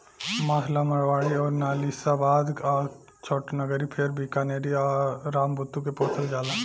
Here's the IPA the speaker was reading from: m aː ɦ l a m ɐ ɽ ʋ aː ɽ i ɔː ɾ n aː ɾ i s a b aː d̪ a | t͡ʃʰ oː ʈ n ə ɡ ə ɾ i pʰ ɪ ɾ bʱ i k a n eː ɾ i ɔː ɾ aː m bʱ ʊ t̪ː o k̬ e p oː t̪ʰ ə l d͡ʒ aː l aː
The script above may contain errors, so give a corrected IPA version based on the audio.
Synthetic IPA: m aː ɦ l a m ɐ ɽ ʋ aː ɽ i ɔː ɾ n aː l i s a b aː d̪ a | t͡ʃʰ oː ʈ n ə ɡ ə ɾ i pʰ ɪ ɾ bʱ i k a n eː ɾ i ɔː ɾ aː m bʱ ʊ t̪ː u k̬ e p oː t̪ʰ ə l d͡ʒ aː l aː